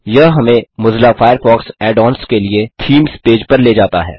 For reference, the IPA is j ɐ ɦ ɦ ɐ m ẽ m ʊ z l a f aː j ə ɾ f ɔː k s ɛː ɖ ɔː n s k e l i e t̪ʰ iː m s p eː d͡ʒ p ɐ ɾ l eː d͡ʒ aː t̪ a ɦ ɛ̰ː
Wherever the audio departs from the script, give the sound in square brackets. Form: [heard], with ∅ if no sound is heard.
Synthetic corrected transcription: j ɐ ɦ ɦ ɐ m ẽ m ʊ z l a f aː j ə ɾ f ɔː k s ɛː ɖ ɔː n s k e l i e t̪ʰ iː m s p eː d͡ʒ p ɐ ɾ l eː d͡ʒ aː t̪ a ɦ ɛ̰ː